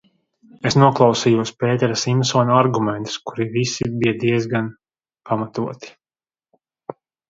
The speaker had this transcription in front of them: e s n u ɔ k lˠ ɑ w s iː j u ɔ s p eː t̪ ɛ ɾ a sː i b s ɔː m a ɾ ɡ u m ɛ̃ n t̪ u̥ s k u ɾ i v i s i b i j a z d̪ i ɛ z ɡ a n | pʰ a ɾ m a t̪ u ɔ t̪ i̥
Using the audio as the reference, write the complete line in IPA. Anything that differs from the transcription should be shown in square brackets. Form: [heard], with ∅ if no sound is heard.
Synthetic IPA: e s n u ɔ k lˠ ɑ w s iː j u ɔ s p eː t̪ ɛ ɾ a [s] i [m] s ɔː [n] a ɾ ɡ u m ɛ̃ n t̪ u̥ s k u ɾ i v i s i b i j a [∅] d̪ i ɛ z ɡ a n | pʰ a [∅] m a t̪ u ɔ t̪ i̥